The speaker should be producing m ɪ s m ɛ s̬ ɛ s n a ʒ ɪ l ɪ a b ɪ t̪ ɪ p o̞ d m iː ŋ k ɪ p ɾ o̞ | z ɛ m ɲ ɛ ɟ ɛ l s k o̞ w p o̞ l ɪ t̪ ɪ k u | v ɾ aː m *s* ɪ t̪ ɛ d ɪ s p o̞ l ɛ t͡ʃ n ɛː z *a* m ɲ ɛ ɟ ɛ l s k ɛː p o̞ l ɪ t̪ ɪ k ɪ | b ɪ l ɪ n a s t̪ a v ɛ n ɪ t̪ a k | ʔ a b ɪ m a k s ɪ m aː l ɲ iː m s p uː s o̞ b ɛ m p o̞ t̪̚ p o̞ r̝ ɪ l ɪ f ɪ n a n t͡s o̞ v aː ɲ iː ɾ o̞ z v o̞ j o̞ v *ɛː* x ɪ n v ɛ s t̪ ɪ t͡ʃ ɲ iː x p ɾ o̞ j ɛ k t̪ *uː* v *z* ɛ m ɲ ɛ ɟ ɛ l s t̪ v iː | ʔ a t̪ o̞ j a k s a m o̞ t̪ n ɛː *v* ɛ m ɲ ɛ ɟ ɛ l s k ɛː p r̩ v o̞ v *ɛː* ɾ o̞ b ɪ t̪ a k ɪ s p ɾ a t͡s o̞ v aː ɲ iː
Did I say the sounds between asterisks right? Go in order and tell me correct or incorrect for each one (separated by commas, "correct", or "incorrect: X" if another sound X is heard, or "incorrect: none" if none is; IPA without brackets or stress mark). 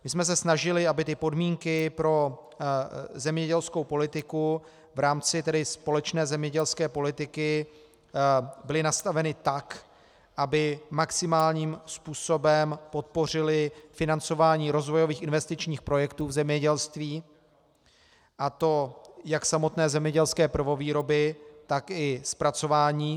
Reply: incorrect: t͡s, incorrect: ɛ, incorrect: iː, correct, correct, incorrect: z, incorrect: iː